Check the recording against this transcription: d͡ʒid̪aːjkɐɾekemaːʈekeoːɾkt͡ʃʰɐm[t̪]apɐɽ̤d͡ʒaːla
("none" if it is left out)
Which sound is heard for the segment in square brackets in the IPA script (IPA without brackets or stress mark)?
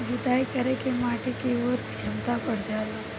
t̪